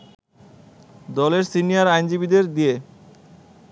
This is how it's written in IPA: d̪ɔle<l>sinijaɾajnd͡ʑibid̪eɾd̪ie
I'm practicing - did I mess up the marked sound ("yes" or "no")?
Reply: yes